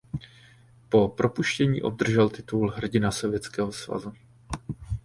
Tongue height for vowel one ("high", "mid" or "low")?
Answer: mid